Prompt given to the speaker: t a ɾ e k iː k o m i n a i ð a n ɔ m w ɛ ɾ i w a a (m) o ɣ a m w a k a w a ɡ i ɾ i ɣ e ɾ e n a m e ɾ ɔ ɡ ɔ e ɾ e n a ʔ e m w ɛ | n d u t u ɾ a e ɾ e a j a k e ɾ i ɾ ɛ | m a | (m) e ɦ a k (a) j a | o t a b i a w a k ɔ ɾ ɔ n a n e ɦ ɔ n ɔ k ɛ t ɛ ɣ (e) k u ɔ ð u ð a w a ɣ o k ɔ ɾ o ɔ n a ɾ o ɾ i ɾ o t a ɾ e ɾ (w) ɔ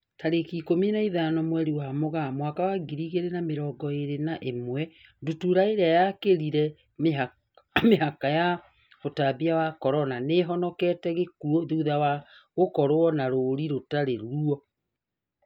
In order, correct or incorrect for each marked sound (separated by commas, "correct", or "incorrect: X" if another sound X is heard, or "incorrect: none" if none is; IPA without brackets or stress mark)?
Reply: correct, correct, correct, correct, incorrect: u